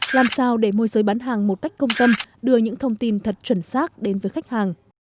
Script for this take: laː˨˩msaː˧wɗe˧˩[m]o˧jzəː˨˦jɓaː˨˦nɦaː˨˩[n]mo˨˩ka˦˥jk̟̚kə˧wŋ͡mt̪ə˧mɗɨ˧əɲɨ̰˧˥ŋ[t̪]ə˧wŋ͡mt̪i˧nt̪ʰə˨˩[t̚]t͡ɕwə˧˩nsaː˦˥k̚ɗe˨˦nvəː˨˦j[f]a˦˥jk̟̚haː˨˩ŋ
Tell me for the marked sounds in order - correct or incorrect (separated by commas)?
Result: correct, incorrect, incorrect, correct, incorrect